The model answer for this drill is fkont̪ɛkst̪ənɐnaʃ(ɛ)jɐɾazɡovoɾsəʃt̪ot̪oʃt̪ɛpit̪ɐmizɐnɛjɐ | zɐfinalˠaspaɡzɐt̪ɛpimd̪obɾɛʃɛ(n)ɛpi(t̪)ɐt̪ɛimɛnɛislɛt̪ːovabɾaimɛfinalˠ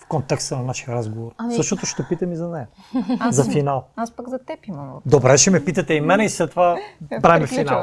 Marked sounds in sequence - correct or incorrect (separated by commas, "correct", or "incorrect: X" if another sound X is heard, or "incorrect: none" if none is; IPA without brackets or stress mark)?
incorrect: i, incorrect: m, correct